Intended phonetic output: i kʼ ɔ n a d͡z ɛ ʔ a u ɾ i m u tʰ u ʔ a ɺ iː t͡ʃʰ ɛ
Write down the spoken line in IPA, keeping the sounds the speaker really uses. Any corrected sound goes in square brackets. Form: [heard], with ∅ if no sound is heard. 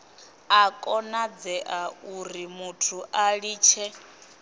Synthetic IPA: [a] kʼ ɔ n a d͡z ɛ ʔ a u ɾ i m u tʰ u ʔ a ɺ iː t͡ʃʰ ɛ